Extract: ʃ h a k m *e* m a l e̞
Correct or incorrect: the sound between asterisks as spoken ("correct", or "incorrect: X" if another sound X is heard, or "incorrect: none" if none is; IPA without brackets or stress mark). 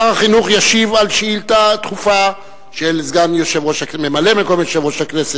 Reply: correct